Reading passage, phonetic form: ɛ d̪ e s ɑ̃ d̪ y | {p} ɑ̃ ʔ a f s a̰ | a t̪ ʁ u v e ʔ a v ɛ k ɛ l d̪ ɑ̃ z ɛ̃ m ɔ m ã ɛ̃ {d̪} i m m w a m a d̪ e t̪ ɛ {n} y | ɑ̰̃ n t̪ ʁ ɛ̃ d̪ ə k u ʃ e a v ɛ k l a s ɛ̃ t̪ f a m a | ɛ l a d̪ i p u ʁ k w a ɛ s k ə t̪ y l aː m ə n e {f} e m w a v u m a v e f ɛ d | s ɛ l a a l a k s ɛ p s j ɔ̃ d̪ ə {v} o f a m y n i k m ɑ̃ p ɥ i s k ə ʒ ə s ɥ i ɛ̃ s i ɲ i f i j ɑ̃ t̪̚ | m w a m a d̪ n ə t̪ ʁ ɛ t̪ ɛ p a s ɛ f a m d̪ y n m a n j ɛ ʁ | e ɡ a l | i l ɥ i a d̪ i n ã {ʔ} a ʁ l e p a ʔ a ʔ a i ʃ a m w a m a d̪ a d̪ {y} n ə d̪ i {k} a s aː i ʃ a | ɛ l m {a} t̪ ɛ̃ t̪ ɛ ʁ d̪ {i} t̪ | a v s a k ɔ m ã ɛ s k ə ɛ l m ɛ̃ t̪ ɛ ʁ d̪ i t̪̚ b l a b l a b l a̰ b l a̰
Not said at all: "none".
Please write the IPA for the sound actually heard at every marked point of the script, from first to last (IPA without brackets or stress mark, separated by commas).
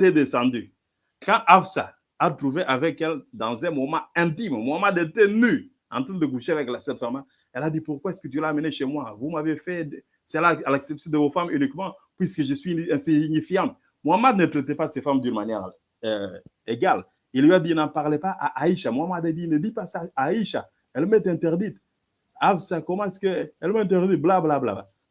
k, t̪, n, ʃ, v, p, i, p, ɛ, i